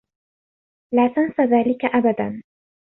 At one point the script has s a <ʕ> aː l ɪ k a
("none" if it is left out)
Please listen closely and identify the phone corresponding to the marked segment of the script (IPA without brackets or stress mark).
ð